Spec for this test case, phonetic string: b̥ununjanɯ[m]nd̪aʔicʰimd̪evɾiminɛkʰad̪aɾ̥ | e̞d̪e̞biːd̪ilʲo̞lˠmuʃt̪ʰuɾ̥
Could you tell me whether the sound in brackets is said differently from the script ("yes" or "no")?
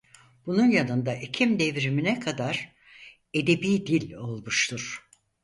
yes